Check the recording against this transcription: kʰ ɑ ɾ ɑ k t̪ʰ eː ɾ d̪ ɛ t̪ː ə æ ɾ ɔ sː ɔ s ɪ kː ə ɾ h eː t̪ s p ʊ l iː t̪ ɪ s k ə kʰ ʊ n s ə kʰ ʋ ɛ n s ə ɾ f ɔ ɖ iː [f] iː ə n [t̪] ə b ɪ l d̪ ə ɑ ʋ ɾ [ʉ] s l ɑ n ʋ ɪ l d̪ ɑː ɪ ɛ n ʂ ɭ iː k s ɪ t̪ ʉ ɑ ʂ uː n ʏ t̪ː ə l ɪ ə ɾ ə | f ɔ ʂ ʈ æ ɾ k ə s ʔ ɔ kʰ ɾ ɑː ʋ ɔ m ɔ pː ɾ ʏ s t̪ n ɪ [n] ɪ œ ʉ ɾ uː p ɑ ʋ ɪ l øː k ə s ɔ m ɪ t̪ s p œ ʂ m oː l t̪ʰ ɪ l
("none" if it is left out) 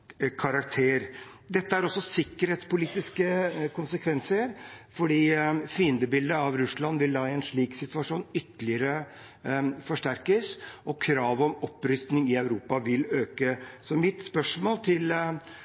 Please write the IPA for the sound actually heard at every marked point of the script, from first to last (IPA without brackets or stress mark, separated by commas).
f, d̪, ʉ, ŋ